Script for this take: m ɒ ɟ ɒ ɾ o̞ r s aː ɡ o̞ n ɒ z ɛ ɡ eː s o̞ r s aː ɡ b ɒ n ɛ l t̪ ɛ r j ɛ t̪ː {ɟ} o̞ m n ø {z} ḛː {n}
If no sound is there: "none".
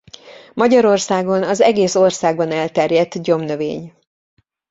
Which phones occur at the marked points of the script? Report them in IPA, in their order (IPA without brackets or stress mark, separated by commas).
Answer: ɟ, v, ɲ